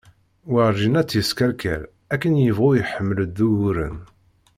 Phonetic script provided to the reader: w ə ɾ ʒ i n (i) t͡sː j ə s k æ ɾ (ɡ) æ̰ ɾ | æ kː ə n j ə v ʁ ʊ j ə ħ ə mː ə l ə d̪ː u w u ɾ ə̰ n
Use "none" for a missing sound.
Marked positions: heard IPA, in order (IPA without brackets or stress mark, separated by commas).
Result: æ, k